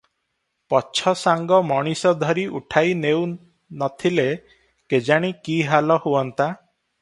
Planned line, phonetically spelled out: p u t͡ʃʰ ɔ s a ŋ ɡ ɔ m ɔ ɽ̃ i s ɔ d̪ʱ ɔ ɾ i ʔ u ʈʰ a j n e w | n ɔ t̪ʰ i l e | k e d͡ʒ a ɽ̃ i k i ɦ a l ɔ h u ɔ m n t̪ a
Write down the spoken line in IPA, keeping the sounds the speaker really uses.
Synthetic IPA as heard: p ɔ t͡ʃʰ ɔ s a ŋ ɡ ɔ m ɔ ɽ̃ i s ɔ d̪ʱ ɔ ɾ i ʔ u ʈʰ a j n e w | n ɔ t̪ʰ i l e | k e d͡ʒ a ɽ̃ i k i ɦ a l ɔ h u ɔ n t̪ a